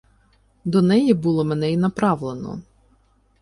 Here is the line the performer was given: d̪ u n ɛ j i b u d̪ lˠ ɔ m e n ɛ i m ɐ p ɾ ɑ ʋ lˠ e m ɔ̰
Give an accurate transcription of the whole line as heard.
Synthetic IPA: d̪ ɔ n ɛ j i b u lˠ ɔ m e n ɛ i n ɐ p ɾ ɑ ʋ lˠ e n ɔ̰